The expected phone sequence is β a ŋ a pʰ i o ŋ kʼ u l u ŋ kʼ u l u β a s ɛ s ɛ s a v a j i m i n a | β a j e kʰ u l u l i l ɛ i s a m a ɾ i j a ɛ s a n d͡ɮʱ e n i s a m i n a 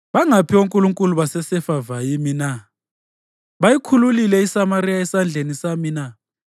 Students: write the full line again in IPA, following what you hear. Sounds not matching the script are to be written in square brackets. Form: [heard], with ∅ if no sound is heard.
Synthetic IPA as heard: β a ŋ a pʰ i o ŋ kʼ u l u ŋ kʼ u l u β a s ɛ s ɛ [f] a v a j i m i n a | β a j [i] kʰ u l u l i l ɛ i s a m a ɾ i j a ɛ s a n d͡ɮʱ e n i s a m i n a